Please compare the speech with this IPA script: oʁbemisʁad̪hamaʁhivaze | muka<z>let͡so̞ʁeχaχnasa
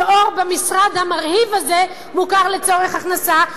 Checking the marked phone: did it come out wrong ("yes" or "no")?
yes